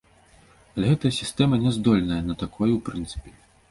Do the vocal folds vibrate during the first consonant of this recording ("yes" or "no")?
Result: yes